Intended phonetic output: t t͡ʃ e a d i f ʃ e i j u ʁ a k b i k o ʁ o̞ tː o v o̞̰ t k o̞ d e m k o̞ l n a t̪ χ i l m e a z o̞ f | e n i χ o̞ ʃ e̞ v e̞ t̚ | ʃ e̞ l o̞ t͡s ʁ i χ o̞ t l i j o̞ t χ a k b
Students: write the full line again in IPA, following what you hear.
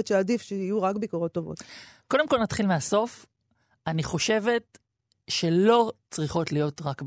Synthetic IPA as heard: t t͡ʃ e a d i f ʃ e i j u ʁ a k b i k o ʁ o̞ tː o v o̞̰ t k o̞ d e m k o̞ l n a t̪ χ i l m e a s o̞ f | a n i χ o̞ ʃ e̞ v e̞ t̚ | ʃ e̞ l o̞ t͡s ʁ i χ o̞ t l i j o̞ t ʁ a k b